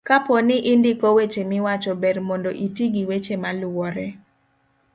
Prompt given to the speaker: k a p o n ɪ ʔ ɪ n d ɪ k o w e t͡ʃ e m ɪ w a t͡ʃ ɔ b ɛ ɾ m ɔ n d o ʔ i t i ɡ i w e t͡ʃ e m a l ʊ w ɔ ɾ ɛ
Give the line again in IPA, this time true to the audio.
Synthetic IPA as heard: k a p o n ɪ ʔ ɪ n d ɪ k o w e t͡ʃ e m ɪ w a t͡ʃ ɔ b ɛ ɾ m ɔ n d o ʔ i t i ɡ i w e t͡ʃ e m a l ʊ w ɔ ɾ ɛ